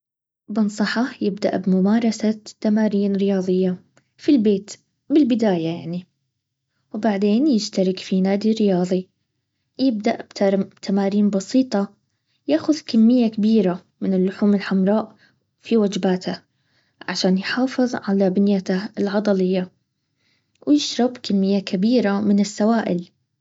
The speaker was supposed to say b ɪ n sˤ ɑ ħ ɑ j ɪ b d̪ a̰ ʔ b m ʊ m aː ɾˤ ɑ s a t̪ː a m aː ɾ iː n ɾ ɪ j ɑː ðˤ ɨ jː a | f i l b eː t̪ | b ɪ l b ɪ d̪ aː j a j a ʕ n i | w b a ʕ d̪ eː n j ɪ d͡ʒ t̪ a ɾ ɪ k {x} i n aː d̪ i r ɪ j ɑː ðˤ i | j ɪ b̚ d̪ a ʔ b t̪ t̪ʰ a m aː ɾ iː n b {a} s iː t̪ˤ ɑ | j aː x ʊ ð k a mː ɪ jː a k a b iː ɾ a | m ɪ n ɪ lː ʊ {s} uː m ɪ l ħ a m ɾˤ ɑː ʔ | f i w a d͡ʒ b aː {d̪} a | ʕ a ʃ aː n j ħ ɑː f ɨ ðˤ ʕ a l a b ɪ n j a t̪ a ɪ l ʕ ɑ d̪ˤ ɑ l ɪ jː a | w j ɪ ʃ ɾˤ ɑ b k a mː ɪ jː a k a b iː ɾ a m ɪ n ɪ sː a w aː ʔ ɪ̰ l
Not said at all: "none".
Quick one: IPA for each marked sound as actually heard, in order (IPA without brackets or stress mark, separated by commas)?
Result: f, ɑ, ħ, t̪